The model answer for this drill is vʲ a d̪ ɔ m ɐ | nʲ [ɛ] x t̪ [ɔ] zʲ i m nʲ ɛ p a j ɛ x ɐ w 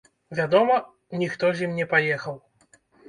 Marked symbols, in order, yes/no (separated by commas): no, yes